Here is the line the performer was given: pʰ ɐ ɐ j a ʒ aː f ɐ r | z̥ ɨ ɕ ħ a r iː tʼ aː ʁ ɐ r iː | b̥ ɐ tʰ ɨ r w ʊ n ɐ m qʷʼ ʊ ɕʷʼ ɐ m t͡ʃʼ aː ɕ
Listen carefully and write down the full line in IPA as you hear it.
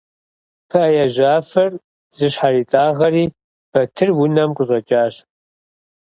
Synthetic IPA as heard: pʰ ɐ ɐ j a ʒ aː f ɐ r | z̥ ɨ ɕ ħ a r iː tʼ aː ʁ ɐ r iː | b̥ ɐ tʰ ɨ r w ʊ n ɐ m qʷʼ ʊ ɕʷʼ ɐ t͡ʃʼ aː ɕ